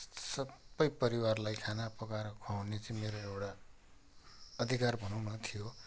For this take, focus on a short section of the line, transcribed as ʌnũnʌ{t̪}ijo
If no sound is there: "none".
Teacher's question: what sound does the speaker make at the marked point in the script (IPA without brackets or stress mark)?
t̪ʰ